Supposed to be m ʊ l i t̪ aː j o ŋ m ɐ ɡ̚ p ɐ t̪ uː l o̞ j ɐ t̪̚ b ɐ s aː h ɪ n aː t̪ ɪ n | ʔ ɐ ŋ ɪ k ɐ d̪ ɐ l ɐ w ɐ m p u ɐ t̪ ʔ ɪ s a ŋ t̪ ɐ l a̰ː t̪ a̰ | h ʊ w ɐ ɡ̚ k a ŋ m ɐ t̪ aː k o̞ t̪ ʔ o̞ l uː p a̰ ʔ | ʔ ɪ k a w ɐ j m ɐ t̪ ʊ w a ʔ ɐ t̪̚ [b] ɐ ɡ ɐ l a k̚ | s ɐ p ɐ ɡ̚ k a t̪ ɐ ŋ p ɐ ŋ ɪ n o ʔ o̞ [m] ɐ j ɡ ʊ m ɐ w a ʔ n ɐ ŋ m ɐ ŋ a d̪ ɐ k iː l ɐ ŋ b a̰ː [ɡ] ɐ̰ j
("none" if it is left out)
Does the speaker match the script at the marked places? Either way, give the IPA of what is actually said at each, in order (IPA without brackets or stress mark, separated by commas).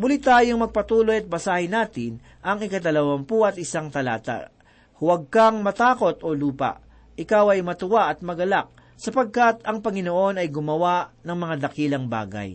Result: m, n, ɡ